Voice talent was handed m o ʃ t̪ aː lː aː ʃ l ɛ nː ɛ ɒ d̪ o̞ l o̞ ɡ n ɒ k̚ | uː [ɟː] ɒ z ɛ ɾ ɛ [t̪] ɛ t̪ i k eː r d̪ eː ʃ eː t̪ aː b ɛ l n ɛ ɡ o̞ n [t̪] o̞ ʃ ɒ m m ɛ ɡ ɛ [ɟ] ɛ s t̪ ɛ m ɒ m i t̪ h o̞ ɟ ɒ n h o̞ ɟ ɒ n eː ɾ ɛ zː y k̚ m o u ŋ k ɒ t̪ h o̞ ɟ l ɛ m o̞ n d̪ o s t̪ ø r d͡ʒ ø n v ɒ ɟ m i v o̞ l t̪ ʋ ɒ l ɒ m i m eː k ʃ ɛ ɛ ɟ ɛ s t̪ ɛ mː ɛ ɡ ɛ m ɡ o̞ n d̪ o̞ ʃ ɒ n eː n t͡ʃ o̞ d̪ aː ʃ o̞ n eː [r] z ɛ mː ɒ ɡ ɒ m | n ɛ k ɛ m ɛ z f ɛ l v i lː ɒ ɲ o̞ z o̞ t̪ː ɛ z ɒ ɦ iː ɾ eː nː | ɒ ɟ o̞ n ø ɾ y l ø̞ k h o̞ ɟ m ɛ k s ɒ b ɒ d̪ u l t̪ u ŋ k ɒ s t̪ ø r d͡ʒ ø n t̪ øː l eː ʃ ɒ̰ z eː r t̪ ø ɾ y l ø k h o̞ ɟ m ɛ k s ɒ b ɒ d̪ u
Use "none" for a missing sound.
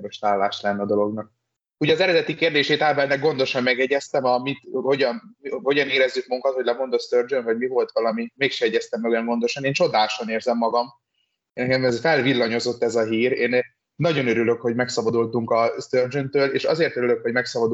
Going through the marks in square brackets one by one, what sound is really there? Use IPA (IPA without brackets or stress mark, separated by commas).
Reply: ɟ, d̪, d̪, ɟ, r